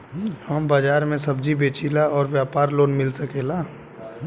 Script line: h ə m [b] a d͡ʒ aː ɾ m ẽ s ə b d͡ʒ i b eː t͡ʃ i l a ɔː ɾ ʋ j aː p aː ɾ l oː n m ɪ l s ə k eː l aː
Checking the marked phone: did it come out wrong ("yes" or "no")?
no